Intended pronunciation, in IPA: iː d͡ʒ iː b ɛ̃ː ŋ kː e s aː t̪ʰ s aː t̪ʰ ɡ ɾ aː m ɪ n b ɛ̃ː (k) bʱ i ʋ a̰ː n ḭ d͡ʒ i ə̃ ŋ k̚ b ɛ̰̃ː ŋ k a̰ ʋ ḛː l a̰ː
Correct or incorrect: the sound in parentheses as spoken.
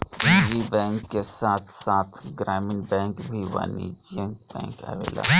correct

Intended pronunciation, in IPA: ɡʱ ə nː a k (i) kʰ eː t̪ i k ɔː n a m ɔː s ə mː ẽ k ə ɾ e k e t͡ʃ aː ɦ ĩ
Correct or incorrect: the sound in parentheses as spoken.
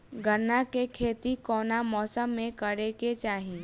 incorrect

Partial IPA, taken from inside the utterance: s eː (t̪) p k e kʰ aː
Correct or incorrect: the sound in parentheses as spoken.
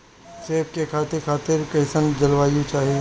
incorrect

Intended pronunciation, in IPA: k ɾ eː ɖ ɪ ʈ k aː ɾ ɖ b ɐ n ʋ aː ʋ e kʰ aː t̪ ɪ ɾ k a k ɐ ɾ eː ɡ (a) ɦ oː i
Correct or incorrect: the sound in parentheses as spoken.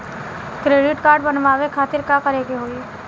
incorrect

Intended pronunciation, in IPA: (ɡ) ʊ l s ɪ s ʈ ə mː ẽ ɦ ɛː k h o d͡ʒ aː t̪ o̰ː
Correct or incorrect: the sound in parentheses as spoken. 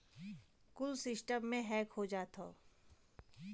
incorrect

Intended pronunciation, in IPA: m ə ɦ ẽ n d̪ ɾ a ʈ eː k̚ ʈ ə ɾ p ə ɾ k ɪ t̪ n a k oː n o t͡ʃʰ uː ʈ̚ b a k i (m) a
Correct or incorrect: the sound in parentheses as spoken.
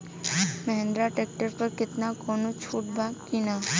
incorrect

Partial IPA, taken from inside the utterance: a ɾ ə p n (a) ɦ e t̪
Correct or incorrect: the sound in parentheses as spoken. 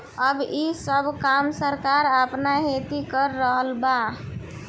correct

